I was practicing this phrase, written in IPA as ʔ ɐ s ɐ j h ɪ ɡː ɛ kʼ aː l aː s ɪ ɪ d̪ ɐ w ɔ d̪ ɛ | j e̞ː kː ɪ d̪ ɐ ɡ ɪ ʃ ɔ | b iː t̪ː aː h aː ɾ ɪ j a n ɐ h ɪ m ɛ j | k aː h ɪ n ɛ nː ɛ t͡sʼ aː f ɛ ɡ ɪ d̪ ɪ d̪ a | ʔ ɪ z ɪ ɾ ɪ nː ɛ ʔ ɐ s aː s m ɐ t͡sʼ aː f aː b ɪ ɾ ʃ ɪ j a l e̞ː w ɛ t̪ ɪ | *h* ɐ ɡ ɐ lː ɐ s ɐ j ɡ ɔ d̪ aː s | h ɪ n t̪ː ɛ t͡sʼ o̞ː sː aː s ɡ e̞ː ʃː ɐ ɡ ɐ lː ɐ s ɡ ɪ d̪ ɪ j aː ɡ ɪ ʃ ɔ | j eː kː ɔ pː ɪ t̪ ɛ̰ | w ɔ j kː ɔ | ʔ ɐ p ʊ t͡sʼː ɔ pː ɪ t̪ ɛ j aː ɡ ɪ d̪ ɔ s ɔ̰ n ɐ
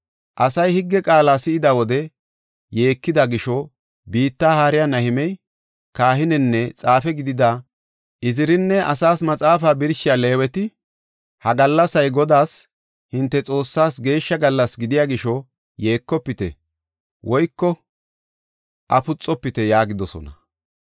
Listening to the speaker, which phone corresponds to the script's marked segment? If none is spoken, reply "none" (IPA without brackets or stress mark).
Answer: h